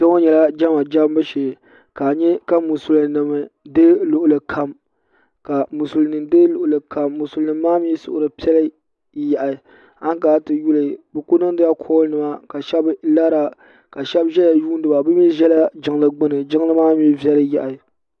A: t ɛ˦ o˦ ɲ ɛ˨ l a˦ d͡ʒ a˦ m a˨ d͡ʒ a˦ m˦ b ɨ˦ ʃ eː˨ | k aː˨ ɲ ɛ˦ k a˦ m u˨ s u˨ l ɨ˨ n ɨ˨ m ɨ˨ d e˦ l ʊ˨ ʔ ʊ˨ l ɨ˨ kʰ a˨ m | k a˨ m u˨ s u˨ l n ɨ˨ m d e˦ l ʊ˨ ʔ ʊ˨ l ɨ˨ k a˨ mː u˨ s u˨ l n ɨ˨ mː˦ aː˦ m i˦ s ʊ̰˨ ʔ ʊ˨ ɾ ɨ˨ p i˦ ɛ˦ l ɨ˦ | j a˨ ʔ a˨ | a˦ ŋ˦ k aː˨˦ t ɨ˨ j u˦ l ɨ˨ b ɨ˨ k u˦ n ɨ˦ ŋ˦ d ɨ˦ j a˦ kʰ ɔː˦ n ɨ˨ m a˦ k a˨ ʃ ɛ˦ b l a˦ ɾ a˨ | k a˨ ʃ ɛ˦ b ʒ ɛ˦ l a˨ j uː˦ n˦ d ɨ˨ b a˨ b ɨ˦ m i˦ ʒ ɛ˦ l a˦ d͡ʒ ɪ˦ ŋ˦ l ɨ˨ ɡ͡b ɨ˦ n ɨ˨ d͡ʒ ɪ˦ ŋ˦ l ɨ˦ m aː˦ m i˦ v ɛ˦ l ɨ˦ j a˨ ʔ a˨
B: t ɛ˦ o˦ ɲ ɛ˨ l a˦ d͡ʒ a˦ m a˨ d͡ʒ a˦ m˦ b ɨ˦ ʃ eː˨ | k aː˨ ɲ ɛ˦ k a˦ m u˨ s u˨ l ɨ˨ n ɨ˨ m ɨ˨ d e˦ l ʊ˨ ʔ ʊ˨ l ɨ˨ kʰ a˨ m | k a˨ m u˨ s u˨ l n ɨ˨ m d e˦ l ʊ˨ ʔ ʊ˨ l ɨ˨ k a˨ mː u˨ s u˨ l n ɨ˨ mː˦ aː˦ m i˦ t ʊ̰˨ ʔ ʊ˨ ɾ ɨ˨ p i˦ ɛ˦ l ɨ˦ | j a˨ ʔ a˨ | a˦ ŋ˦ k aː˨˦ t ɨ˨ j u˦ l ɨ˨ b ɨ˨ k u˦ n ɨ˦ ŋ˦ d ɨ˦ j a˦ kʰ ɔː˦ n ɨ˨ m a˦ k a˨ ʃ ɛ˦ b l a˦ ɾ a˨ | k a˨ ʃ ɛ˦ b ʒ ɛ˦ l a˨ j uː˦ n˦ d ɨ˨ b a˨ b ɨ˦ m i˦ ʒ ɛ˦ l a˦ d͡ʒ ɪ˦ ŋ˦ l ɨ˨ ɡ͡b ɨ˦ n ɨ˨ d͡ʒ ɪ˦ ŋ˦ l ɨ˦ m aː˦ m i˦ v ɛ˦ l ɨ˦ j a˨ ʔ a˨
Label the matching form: A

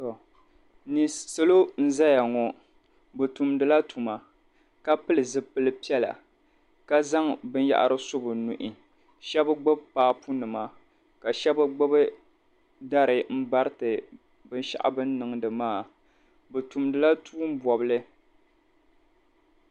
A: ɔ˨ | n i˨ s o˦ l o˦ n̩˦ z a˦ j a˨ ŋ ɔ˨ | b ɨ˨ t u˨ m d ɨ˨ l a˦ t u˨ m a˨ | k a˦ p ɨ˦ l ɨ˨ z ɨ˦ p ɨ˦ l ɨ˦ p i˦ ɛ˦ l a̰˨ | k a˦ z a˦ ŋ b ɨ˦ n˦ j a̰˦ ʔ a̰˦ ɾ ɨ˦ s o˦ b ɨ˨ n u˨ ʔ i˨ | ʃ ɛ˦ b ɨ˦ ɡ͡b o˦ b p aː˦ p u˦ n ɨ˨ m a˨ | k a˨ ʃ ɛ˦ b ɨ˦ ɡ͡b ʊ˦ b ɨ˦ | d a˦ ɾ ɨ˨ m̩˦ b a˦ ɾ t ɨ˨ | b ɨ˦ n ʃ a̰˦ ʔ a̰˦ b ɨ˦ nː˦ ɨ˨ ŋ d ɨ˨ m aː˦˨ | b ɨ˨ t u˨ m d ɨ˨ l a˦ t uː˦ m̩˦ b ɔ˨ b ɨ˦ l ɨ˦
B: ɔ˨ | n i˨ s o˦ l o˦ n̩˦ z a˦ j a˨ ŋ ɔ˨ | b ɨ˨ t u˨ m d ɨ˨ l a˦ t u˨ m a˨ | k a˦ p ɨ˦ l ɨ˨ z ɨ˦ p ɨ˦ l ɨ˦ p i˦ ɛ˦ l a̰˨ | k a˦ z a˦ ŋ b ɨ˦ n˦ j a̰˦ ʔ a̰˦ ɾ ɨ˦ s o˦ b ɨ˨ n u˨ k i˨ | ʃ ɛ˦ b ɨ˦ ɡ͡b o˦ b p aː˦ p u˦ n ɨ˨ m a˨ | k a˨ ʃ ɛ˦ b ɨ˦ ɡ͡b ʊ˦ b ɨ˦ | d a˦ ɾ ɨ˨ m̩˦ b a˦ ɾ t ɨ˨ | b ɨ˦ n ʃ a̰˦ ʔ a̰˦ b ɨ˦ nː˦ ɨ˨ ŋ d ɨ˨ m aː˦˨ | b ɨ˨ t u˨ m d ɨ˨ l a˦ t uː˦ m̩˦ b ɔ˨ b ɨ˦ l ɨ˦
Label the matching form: A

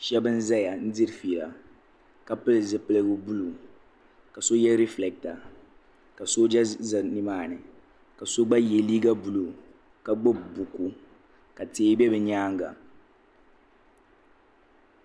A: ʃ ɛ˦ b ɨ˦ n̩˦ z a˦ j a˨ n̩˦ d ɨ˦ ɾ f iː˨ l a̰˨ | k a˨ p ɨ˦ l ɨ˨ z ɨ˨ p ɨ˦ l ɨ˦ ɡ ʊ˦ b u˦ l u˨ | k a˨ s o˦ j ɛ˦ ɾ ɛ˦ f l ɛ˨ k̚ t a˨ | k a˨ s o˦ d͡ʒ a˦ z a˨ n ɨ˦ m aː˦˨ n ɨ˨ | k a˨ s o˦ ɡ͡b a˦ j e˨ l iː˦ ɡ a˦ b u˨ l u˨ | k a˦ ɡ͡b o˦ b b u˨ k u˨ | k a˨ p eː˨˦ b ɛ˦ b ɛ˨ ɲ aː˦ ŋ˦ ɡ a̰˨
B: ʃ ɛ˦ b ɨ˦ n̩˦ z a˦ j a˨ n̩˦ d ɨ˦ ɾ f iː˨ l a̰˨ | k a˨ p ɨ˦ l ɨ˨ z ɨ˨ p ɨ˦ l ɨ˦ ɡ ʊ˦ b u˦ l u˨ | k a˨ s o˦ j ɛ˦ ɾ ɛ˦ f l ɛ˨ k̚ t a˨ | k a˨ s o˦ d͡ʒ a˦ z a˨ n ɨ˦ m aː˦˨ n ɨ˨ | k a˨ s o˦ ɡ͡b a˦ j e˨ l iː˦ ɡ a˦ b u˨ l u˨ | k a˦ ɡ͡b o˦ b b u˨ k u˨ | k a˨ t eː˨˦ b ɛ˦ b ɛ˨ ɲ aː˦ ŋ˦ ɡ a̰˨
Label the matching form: B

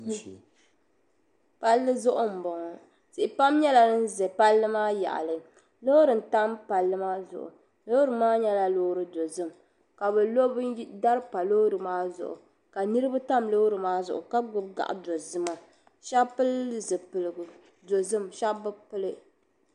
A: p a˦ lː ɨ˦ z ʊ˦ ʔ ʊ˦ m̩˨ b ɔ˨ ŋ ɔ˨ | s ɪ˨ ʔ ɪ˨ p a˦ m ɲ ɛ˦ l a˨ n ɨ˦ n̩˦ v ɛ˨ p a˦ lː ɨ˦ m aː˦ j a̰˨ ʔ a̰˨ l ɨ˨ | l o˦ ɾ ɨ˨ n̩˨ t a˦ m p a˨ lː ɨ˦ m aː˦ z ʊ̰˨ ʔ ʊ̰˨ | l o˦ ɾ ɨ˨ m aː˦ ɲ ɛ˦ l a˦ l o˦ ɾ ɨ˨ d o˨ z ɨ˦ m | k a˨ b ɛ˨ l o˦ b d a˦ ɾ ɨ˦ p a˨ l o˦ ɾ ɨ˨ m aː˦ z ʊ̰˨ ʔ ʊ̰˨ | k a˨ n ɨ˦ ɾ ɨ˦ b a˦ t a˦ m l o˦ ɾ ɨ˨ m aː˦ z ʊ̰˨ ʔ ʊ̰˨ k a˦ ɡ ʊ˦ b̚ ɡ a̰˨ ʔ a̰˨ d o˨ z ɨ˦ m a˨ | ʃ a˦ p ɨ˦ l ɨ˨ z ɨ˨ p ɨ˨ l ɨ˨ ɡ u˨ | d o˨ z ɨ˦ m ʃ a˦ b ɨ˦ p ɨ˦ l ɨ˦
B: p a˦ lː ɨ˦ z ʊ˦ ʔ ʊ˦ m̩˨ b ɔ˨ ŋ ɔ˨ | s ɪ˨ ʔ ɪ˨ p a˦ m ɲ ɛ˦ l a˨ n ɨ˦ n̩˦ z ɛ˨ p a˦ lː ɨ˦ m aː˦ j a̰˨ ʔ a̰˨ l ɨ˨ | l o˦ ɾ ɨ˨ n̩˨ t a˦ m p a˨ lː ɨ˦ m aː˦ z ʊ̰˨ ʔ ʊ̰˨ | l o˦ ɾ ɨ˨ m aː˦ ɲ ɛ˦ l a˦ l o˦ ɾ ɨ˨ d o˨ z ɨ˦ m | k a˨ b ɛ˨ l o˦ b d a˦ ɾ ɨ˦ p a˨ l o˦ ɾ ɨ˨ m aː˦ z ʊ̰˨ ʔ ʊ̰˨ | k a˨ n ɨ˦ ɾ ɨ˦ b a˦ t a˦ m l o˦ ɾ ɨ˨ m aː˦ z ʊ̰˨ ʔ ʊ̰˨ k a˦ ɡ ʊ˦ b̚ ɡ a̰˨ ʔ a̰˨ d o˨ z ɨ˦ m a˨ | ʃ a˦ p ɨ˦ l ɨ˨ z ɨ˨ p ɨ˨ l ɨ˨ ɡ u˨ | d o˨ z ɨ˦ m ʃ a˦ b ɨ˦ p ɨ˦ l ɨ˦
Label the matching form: B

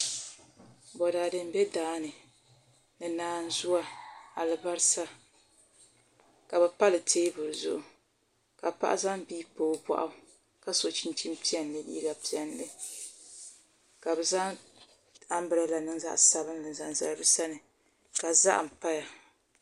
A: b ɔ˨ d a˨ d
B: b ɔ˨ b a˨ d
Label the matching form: A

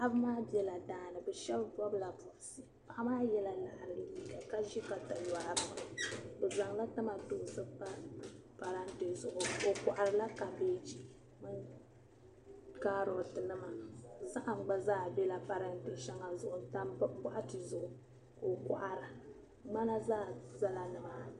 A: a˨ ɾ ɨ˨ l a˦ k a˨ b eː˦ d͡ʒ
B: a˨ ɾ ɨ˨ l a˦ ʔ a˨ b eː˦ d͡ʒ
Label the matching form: A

